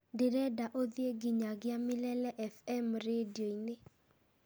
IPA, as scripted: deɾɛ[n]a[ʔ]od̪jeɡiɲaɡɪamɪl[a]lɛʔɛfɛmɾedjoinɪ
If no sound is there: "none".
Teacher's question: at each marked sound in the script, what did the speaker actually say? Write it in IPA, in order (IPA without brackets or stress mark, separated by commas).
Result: d, ʔ, ɛ